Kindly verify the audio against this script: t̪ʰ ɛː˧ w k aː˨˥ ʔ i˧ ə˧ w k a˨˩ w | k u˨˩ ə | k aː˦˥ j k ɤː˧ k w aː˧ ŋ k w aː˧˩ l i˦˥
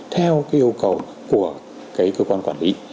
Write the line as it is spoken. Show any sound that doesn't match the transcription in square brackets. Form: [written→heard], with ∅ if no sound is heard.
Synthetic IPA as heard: t̪ʰ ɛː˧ w k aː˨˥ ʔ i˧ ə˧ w k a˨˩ w | k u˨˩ ə | k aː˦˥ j k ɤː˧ k w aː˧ [ŋ→n] k w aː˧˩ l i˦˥